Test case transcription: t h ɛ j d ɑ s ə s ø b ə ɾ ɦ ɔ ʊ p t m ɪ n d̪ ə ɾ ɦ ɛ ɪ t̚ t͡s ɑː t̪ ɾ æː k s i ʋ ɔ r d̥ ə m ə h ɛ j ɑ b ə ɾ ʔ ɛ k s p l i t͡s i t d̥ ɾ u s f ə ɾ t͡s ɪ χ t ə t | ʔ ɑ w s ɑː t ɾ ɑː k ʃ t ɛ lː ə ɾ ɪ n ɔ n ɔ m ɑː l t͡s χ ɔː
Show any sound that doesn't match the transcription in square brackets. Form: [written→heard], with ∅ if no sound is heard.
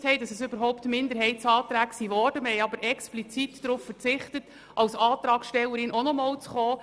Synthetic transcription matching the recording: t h ɛ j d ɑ s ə s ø b ə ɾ ɦ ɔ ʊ p t m ɪ n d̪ ə ɾ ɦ ɛ ɪ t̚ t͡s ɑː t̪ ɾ æː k s i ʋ ɔ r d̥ ə m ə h ɛ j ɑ b ə ɾ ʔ ɛ k s p l i t͡s i t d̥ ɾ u [s→f] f ə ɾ t͡s ɪ χ t ə t | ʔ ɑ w s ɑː t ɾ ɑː k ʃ t ɛ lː ə ɾ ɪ n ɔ n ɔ m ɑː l t͡s χ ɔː